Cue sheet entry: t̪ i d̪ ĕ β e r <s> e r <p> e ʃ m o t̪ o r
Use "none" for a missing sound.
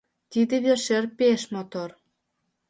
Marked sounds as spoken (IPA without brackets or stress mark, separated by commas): ʃ, p